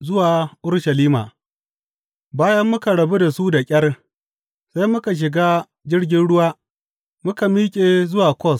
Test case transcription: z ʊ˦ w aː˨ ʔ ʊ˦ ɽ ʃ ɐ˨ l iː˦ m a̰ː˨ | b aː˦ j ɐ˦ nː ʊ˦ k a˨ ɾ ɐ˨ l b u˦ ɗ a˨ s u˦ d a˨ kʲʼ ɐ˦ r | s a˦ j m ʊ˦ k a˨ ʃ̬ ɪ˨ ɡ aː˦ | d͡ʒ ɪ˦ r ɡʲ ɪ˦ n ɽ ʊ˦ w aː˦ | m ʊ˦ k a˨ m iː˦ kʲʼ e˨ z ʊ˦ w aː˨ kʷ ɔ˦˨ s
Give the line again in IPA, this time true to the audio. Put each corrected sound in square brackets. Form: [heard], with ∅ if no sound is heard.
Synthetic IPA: z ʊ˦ w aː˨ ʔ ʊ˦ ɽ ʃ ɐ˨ l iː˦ m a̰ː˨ | b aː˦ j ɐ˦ [mː] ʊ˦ k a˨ [ɽ] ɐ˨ [∅] b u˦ [d] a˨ s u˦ d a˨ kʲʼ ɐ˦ r | s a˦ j m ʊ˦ k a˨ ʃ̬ ɪ˨ ɡ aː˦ | d͡ʒ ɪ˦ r ɡʲ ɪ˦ n ɽ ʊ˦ w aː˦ | m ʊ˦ k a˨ m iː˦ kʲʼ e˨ z ʊ˦ w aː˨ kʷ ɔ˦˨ s